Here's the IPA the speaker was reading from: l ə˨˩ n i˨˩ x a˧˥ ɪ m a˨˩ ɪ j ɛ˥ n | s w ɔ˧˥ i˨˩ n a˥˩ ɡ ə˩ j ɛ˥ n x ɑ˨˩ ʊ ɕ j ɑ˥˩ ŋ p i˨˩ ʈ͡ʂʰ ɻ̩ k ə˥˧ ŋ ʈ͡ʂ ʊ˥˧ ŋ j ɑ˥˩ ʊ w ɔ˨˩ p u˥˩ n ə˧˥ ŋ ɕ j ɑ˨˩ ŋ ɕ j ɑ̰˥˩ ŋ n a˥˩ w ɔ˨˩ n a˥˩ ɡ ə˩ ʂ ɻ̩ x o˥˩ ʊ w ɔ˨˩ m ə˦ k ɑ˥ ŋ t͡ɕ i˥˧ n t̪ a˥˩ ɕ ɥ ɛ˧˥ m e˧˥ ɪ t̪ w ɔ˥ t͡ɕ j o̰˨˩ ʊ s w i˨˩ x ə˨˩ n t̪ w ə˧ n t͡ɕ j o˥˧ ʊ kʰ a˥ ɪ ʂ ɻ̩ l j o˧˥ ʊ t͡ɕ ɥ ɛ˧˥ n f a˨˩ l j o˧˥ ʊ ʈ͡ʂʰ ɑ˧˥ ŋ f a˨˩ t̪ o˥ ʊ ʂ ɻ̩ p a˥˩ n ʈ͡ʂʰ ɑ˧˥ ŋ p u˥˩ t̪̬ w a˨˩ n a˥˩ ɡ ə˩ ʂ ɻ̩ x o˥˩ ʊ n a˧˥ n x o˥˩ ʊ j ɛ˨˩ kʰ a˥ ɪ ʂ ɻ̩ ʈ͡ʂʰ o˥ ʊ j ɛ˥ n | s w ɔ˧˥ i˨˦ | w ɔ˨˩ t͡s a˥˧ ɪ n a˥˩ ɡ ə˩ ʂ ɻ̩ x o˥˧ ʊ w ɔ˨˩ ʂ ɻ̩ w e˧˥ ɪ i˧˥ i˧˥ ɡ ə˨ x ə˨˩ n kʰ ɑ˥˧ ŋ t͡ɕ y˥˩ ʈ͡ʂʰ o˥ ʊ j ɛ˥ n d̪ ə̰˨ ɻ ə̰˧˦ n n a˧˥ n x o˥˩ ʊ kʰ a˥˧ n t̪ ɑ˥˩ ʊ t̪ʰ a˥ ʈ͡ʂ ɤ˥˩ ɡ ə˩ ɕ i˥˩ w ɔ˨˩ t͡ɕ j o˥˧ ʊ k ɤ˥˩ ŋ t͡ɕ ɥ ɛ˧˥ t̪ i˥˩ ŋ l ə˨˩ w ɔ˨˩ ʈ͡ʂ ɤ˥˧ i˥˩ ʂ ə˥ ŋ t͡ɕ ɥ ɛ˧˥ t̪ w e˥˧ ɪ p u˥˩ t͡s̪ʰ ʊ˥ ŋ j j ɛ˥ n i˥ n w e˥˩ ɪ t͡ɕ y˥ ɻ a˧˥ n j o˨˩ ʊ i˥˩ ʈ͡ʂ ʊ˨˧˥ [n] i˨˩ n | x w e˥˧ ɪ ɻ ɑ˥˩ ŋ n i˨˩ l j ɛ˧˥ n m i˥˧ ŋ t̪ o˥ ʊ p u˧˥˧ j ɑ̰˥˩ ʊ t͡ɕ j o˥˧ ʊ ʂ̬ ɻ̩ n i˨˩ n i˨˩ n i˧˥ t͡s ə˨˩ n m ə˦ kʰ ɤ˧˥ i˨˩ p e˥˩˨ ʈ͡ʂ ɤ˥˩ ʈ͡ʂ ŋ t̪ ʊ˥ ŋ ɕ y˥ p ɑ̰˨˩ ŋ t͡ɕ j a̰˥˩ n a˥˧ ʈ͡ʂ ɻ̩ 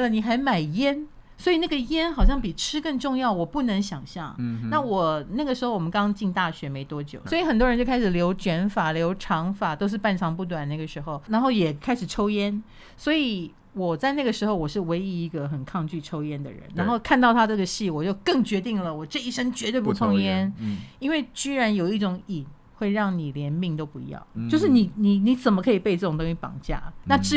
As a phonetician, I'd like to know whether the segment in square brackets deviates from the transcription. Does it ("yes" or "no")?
yes